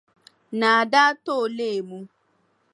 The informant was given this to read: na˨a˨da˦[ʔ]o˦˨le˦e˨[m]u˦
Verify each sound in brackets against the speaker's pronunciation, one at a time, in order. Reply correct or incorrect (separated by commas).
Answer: incorrect, correct